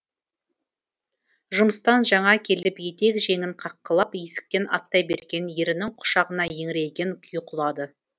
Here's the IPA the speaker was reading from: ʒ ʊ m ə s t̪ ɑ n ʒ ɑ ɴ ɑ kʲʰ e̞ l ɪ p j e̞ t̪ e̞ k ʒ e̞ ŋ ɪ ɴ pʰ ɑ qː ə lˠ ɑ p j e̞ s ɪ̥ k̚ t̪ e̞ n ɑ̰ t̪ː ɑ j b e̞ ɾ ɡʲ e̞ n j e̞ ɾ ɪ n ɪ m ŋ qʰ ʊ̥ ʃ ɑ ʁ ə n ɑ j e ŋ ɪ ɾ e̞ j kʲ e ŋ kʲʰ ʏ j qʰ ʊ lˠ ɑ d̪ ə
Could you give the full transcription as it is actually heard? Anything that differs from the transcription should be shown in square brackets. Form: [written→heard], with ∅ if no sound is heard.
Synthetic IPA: ʒ ʊ m ə s t̪ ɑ n ʒ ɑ ɴ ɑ kʲʰ e̞ l ɪ p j e̞ t̪ e̞ k ʒ e̞ ŋ ɪ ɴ [pʰ→qʰ] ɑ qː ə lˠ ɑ p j e̞ s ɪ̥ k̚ t̪ e̞ n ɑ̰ t̪ː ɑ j b e̞ ɾ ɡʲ e̞ n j e̞ ɾ ɪ n ɪ [m→∅] ŋ qʰ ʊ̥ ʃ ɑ ʁ ə n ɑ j e ŋ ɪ ɾ e̞ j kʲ e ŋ kʲʰ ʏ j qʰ ʊ lˠ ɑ d̪ ə